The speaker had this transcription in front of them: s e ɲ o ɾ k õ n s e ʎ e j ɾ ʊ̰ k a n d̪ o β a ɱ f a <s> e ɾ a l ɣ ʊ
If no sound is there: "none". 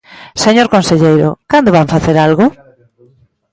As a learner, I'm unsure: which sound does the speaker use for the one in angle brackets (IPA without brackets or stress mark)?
θ